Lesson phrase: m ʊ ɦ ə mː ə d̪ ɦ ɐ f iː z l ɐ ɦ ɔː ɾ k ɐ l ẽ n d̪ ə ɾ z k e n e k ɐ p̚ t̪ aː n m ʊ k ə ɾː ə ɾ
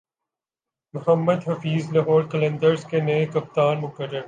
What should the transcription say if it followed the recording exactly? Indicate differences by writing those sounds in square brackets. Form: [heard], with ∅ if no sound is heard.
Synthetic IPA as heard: m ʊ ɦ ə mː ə d̪ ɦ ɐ f iː z l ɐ ɦ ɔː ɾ k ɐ l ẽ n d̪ ə ɾ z k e n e k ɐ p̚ t̪ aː n m ʊ k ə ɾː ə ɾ